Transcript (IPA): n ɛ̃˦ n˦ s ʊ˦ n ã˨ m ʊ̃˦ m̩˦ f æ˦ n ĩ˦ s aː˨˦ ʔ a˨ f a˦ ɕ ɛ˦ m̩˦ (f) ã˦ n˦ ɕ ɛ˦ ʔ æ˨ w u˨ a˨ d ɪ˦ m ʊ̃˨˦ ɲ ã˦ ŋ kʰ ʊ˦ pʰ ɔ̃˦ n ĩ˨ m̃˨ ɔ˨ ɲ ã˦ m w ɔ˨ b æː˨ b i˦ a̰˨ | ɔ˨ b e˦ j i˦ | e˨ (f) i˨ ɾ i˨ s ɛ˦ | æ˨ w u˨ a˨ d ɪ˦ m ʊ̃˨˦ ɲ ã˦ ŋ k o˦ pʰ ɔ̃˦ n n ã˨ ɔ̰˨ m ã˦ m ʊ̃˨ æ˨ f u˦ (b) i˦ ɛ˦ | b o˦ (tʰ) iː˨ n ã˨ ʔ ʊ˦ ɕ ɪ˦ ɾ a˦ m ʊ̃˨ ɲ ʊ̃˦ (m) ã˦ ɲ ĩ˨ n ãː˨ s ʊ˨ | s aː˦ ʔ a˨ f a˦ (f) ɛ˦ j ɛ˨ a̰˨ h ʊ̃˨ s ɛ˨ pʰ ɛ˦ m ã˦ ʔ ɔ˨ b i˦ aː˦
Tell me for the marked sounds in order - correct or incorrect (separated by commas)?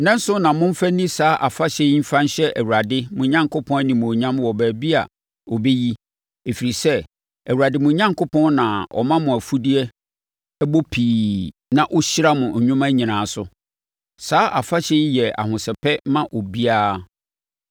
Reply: correct, correct, incorrect, incorrect, correct, incorrect